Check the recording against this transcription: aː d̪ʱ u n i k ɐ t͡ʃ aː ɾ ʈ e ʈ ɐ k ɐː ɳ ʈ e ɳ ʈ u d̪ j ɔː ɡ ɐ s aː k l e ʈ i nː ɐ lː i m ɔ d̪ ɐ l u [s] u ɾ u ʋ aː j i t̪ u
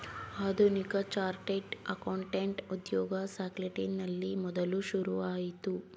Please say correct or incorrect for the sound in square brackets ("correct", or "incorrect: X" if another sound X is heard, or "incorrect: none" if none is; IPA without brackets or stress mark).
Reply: incorrect: ʃ